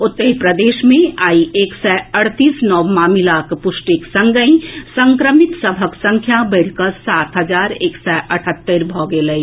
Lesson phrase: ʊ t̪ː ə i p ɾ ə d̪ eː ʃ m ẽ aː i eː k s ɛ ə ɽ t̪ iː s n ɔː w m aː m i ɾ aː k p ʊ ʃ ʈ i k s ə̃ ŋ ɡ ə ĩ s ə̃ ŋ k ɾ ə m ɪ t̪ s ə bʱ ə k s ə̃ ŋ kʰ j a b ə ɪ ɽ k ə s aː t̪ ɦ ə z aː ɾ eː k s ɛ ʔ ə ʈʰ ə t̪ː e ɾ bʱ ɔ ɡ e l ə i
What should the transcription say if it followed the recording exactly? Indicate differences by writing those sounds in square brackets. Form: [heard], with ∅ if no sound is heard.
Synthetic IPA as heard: ʊ t̪ː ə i p ɾ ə d̪ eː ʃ m ẽ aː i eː k s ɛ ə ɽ t̪ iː s n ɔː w m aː m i [l] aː k p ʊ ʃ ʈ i k s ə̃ ŋ ɡ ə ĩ s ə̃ ŋ k ɾ ə m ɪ t̪ s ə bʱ ə k s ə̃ ŋ kʰ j a b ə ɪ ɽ k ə s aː t̪ ɦ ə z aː ɾ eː k s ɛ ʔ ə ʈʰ ə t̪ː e ɾ bʱ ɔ ɡ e l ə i